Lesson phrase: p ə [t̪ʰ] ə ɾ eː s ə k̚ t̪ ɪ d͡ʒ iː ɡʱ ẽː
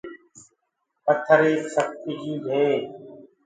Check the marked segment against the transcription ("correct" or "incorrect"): correct